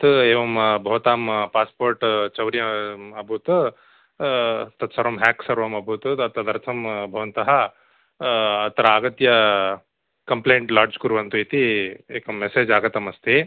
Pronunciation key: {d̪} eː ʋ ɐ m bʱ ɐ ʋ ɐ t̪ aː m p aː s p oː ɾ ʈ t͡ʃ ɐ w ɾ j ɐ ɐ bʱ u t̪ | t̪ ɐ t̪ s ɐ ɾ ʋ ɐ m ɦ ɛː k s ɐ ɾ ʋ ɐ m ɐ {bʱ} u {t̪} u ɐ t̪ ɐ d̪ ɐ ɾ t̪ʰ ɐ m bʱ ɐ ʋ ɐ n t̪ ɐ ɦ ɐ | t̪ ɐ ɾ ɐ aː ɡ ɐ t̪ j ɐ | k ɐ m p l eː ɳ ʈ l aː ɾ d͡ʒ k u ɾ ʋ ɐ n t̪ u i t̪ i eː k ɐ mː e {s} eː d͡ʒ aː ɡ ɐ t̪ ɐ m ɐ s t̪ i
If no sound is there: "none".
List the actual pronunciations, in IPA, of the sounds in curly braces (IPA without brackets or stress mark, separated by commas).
t̪, bʱ, t̪, s